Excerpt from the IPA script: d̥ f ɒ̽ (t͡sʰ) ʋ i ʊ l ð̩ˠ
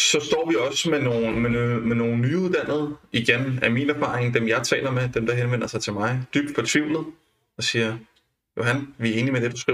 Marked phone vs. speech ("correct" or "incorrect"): correct